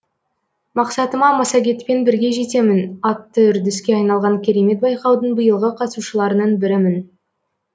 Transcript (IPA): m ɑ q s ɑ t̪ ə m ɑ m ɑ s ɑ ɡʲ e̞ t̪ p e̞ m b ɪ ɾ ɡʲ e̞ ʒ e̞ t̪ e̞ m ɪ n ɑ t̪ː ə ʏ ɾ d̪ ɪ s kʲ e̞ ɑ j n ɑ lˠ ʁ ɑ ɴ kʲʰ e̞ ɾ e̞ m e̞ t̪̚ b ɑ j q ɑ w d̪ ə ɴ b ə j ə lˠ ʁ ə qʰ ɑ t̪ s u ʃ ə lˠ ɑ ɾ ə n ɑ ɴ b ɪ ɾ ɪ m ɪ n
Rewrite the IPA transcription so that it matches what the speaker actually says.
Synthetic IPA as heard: m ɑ q s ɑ t̪ ə m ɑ m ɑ s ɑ ɡʲ e̞ t̪ p e̞ n b ɪ ɾ ɡʲ e̞ ʒ e̞ t̪ e̞ m ɪ n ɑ t̪ː ə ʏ ɾ d̪ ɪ s kʲ e̞ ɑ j n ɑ lˠ ʁ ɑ ŋ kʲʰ e̞ ɾ e̞ m e̞ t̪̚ b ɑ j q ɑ w d̪ ə ɴ b ə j ə lˠ ʁ ə qʰ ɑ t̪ s u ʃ ə lˠ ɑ ɾ ə n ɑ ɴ b ɪ ɾ ɪ m ɪ n